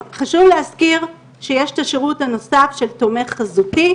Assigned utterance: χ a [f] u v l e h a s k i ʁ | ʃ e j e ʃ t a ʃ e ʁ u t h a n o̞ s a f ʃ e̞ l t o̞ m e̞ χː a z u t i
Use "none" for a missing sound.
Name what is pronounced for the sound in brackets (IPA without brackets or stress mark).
ʃ